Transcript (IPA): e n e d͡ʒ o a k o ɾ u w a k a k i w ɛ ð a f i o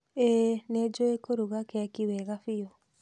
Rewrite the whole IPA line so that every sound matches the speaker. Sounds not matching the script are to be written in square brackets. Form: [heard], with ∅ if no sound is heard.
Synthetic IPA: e n e d͡ʒ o [e] k o ɾ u [ɣ] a k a k i w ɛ [ɣ] a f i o